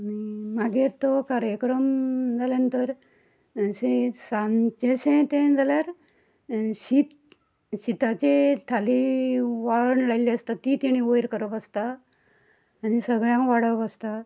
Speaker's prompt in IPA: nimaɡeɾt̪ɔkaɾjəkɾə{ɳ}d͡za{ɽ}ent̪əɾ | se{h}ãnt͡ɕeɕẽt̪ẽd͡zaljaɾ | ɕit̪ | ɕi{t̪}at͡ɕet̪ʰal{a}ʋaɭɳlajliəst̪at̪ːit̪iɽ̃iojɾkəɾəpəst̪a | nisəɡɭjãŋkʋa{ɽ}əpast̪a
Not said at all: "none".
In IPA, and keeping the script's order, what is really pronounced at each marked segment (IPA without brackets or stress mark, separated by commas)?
m, l, s, t̪, i, ɽ